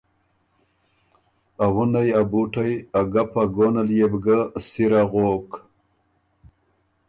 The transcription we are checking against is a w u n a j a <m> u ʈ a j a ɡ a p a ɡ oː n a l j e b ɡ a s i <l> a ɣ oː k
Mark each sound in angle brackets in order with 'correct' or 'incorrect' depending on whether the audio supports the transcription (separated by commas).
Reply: incorrect, incorrect